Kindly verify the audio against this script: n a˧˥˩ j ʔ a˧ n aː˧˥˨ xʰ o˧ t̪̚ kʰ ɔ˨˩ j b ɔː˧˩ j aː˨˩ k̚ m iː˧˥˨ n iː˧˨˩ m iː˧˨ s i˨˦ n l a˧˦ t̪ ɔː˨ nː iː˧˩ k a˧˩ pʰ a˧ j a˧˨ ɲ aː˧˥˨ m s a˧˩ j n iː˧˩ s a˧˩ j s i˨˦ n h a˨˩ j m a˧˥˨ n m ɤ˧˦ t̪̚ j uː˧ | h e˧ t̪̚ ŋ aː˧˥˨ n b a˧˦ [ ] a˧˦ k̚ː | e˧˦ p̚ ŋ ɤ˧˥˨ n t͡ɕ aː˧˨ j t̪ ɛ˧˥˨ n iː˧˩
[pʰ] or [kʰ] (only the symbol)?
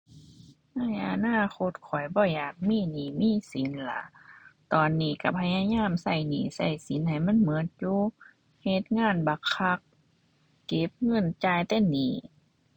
kʰ